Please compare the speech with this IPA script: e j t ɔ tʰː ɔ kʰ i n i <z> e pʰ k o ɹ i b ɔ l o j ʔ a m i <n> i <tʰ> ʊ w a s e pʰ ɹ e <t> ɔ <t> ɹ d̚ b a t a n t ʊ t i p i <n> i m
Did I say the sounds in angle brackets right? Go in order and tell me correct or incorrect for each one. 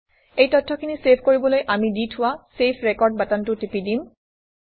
incorrect: s, incorrect: d, correct, incorrect: k, incorrect: none, incorrect: d

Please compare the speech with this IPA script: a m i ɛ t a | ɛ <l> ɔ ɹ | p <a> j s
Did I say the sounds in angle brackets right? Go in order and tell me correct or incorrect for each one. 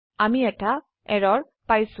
incorrect: ɹ, correct

